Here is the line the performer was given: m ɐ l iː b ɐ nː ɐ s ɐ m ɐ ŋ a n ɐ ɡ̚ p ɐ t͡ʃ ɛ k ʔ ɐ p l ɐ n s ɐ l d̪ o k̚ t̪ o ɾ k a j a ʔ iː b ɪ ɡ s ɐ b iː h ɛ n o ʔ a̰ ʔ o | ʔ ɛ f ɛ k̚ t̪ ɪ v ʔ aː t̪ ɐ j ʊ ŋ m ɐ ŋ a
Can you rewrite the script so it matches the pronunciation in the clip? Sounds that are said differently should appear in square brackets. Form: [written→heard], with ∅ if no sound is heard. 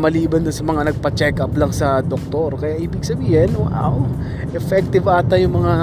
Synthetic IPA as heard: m ɐ l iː b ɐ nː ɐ s ɐ m ɐ ŋ a n ɐ ɡ̚ p ɐ t͡ʃ ɛ k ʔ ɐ p l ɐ [n→ŋ] s ɐ [l→∅] d̪ o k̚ t̪ o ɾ k [a→ɐ] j a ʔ iː b ɪ ɡ s ɐ b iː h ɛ n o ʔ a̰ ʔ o | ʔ ɛ f ɛ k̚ t̪ ɪ v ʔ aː t̪ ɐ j ʊ ŋ m ɐ ŋ a